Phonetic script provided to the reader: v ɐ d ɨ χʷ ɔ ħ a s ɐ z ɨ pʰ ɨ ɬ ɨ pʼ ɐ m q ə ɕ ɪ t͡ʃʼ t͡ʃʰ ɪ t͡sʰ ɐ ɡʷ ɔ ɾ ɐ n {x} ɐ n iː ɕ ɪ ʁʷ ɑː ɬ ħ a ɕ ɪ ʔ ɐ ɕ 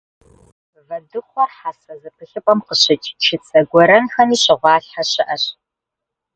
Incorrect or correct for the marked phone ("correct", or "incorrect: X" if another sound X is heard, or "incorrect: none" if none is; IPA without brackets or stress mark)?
correct